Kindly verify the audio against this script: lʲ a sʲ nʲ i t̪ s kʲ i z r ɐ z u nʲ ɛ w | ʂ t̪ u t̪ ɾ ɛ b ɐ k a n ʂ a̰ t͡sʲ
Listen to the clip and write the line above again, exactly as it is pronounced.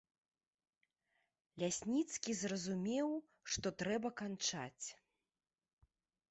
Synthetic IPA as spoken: lʲ a sʲ nʲ i t̪ s kʲ i z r ɐ z u mʲ ɛ w | ʂ t̪ ɔ t̪ ɾ ɛ b ɐ k a n t͡ʂ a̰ t͡sʲ